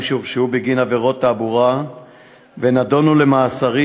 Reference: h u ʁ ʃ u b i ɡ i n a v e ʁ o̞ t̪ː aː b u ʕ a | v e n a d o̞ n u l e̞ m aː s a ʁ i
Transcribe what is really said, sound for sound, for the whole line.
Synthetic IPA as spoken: ʃ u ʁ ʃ u b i ɡ i n a v e ʁ o̞ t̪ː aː b u ʁ a | v e n a d o̞ n u l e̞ m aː s a ʁ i